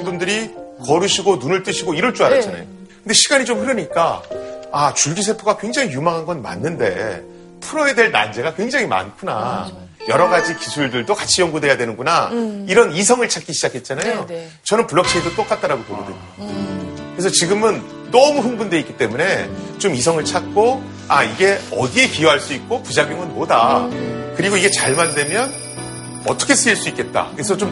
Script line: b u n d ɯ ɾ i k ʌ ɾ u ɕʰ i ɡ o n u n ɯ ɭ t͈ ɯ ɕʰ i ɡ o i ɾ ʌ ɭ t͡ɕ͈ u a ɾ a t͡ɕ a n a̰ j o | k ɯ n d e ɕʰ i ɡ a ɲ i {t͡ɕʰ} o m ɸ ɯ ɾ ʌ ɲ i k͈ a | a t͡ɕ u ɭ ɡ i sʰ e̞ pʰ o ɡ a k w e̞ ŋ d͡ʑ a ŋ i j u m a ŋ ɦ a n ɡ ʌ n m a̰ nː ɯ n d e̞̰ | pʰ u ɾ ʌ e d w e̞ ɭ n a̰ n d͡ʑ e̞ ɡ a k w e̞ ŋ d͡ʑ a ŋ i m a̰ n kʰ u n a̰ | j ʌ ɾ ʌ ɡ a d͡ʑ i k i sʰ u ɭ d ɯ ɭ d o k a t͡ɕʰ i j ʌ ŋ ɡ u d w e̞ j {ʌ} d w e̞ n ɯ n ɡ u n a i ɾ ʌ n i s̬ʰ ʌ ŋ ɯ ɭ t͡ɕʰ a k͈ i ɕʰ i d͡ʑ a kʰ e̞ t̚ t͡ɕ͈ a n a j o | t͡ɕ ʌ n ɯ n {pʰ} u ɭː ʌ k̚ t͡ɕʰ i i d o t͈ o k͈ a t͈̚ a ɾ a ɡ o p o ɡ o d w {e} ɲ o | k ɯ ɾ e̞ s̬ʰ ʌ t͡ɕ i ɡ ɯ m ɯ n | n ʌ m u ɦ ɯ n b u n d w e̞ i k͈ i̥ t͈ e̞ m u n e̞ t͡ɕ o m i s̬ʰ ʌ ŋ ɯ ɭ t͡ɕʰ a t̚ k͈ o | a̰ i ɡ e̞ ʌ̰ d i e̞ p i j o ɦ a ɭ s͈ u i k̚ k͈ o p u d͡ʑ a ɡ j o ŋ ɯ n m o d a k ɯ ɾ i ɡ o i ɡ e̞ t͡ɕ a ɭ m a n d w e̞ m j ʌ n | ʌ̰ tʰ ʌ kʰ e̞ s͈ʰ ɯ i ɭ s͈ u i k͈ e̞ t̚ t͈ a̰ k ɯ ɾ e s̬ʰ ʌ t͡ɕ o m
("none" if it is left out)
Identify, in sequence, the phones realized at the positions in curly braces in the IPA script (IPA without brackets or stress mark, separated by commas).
t͡ɕ, a, p, e